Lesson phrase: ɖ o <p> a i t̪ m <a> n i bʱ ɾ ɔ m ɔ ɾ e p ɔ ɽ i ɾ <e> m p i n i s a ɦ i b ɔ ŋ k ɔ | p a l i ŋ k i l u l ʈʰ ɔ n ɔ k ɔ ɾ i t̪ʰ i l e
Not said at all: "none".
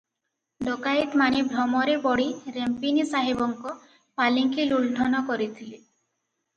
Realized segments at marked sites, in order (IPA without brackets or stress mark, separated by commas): k, a, e